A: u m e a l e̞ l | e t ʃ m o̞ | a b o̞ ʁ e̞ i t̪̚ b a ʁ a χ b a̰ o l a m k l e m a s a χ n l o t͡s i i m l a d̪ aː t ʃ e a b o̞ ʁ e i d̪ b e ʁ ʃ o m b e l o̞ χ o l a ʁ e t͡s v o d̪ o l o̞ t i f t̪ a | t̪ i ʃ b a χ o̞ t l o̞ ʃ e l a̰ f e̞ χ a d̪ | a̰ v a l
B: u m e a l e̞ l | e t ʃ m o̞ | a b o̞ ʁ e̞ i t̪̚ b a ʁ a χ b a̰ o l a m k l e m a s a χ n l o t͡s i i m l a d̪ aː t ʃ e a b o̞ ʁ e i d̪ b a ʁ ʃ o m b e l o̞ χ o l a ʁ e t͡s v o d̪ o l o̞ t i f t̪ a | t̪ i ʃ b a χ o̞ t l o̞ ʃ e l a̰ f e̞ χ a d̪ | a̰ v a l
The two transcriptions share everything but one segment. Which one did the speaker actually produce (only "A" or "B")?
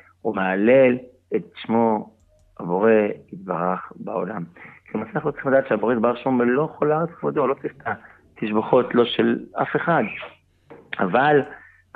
B